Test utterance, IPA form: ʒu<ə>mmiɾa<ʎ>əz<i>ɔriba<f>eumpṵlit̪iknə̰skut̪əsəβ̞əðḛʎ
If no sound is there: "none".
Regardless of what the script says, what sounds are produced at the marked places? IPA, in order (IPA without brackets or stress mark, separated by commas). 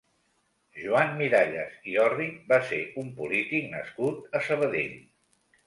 a, ʎ, i, s